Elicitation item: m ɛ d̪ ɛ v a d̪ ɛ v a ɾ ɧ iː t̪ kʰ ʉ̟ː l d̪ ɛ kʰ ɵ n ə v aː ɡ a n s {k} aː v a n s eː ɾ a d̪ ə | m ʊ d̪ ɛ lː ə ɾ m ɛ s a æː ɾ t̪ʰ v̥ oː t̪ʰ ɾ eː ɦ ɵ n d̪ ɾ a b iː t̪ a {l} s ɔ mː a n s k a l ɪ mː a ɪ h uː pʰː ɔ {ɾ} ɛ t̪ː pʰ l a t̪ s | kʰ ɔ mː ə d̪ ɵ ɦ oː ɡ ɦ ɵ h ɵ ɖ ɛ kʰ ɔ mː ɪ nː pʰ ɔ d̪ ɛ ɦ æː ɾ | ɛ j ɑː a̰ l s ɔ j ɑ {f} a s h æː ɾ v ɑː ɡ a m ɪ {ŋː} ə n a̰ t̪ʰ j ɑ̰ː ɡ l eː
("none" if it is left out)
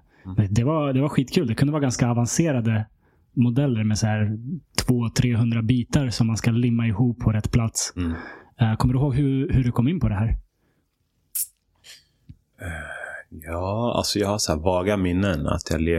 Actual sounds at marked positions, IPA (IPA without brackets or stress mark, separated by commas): k, ɾ, ɾ, h, nː